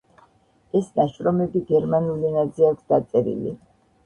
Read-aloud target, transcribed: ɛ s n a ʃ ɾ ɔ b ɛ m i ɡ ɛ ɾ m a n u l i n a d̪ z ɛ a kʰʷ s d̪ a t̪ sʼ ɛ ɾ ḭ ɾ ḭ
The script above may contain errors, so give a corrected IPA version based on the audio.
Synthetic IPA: ɛ s n a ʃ ɾ ɔ m ɛ b i ɡ ɛ ɾ m a n u l i n a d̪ z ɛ a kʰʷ s d̪ a t̪ sʼ ɛ ɾ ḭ l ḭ